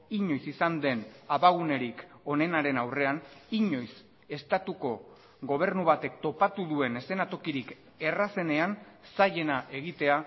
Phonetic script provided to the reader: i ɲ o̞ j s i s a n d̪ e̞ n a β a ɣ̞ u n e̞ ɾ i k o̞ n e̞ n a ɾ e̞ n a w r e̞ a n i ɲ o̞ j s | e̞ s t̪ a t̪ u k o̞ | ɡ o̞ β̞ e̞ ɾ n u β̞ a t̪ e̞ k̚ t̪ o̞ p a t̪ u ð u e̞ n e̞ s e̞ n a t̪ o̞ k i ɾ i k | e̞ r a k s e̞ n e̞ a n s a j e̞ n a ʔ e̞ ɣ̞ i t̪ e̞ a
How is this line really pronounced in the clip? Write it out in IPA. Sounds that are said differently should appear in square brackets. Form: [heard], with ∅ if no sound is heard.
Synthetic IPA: i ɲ o̞ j s i s a n d̪ e̞ n a β a ɣ̞ u n e̞ ɾ i k o̞ n e̞ n a ɾ e̞ n a w r e̞ a n i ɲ o̞ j s | e̞ s t̪ a t̪ u k o̞ | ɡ o̞ β̞ e̞ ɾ n u β̞ a t̪ e̞ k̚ t̪ o̞ p a t̪ u ð u e̞ n e̞ s e̞ n a t̪ o̞ k i ɾ i k | e̞ r a [∅] s e̞ n e̞ a n s a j e̞ n a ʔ e̞ ɣ̞ i t̪ e̞ a